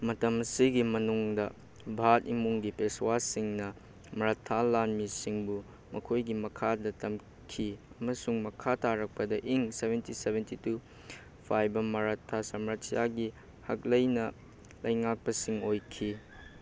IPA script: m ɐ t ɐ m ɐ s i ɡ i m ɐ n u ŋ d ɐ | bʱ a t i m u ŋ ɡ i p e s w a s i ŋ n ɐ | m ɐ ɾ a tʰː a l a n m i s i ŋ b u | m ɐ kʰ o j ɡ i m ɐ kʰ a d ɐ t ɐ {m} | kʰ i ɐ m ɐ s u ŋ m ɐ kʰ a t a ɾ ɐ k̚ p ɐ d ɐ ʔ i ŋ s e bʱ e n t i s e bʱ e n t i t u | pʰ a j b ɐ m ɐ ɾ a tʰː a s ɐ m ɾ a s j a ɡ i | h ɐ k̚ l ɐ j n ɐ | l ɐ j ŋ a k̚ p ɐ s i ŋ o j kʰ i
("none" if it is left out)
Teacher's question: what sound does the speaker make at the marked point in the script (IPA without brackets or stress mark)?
m